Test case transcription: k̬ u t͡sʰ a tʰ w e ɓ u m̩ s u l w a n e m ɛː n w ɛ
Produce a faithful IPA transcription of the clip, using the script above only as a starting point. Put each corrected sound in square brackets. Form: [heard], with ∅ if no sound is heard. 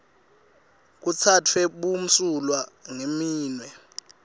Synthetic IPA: k̬ u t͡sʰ a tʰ w [ɛ] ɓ u m̩ s u l w a [ŋ] e m [iː] n w ɛ